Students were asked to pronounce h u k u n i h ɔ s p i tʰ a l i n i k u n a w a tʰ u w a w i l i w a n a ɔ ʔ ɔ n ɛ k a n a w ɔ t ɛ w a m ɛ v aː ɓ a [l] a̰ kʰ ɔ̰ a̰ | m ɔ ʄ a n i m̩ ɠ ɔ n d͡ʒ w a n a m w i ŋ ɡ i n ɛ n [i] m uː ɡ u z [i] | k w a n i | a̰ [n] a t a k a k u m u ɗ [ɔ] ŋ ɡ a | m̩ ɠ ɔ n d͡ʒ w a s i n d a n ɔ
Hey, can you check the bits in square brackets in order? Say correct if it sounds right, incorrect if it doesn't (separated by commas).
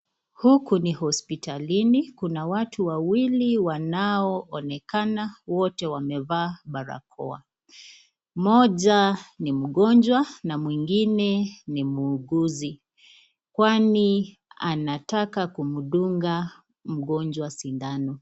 incorrect, correct, correct, correct, incorrect